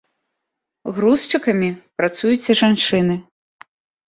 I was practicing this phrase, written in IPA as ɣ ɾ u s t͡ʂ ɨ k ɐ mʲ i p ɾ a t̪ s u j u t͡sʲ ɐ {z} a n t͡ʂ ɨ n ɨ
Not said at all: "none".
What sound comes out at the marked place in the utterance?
ʐ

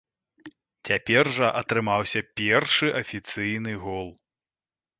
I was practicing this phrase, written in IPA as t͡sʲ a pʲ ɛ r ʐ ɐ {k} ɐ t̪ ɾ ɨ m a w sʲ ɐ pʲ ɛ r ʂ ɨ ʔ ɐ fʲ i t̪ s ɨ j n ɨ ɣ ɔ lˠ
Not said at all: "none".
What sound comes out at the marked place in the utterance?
ʔ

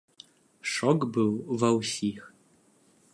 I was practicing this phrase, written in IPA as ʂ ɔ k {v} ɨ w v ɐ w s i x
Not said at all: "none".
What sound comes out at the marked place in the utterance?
b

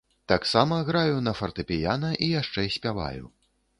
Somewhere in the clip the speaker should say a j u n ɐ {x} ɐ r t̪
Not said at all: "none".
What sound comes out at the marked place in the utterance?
f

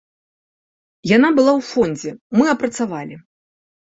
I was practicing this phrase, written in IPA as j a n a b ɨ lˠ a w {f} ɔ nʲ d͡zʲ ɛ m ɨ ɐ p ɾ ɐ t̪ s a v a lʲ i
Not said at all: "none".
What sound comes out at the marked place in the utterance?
f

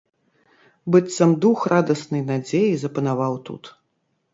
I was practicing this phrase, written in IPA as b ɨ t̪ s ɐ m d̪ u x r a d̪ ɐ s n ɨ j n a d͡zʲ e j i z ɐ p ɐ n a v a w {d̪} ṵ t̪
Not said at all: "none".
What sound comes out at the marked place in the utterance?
t̪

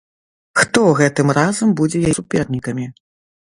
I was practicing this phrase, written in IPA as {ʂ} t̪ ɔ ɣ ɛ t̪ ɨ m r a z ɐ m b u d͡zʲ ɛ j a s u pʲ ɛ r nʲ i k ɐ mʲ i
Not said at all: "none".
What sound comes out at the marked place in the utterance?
x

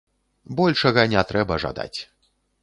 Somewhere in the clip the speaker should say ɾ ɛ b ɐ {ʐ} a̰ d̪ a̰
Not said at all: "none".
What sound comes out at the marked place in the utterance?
ʐ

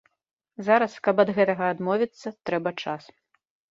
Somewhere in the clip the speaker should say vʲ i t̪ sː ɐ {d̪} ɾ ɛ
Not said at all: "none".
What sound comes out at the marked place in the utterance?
t̪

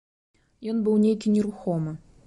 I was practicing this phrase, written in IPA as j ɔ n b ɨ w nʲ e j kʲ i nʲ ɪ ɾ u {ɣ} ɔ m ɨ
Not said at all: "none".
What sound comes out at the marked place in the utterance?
x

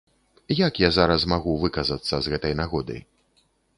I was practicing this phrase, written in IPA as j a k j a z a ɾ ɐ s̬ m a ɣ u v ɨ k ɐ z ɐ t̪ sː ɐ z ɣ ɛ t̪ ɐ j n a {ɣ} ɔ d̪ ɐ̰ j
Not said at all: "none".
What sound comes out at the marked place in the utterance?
ɣ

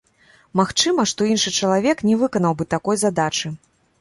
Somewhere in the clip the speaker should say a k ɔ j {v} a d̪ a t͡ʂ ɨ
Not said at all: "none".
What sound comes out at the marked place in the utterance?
z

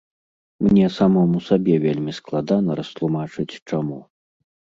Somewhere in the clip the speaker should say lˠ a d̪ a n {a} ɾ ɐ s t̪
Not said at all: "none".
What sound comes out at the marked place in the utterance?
ɐ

